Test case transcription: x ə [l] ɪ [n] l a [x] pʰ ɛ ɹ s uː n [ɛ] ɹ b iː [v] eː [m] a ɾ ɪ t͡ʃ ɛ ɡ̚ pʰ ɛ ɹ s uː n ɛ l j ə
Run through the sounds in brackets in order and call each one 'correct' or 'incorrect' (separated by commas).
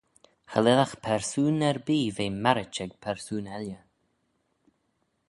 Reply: correct, incorrect, correct, correct, correct, correct